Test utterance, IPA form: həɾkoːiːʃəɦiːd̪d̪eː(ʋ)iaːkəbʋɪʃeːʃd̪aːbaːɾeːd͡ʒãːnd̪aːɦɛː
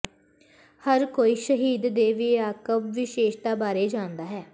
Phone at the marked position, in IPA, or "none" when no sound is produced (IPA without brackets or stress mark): ʋ